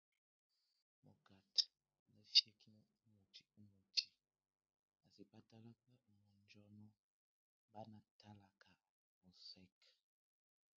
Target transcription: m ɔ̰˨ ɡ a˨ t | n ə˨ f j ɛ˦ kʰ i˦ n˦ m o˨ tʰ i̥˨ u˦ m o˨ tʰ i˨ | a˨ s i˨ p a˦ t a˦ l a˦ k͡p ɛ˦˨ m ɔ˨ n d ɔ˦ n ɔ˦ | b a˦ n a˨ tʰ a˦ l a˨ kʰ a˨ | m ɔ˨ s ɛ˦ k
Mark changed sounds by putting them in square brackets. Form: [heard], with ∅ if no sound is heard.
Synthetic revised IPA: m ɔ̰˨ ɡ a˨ t | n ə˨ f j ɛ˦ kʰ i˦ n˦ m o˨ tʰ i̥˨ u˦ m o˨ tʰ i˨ | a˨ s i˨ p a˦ t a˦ l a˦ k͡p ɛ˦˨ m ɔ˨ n [d͡ʒ] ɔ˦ n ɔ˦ | b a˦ n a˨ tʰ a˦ l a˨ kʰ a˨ | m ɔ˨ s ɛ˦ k